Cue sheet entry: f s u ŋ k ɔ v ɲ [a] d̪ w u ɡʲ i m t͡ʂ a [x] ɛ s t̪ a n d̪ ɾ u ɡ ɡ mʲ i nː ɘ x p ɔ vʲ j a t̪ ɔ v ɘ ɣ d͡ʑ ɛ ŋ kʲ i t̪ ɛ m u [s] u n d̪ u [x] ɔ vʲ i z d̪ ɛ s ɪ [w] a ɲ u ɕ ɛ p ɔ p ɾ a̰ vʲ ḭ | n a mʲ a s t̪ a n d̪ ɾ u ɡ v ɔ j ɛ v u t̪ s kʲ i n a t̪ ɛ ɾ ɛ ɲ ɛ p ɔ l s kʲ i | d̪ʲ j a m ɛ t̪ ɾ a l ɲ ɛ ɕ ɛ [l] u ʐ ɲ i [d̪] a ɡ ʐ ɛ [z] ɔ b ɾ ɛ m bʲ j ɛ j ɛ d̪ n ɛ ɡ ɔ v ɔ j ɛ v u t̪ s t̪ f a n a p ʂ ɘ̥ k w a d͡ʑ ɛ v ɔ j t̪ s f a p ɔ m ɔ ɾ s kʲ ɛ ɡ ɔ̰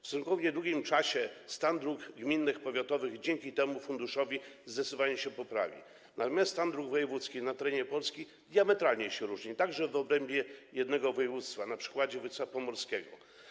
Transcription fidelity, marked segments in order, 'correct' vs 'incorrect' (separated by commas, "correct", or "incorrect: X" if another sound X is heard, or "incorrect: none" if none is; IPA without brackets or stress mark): incorrect: ɛ, incorrect: ɕ, incorrect: f, incorrect: ʂ, incorrect: v, incorrect: ɾ, incorrect: t̪, incorrect: v